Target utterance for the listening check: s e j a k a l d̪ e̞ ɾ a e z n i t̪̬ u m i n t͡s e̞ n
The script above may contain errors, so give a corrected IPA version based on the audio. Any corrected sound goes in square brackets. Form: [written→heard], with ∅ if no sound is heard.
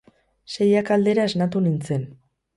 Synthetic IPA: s e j a k a l d̪ e̞ ɾ a e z n [i→a] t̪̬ u [m→n] i n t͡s e̞ n